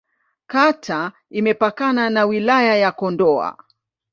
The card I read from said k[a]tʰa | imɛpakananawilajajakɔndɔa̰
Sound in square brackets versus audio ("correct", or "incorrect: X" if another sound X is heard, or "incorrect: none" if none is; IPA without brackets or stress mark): correct